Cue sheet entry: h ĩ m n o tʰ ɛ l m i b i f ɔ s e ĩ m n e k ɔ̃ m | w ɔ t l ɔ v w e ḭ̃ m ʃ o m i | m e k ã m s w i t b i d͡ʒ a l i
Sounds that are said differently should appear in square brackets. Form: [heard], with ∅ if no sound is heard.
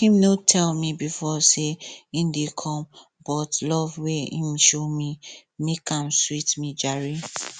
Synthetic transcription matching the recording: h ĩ m n o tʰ ɛ l m i b i f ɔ s e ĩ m [d] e [kʰ] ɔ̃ m | [b] ɔ t l ɔ v w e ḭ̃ m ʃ o m i | m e k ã m s w i t [m] i d͡ʒ a [ɹ] i